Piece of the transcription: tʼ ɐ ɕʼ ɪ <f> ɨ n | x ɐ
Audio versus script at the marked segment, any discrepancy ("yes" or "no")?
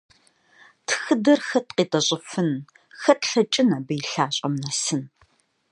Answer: no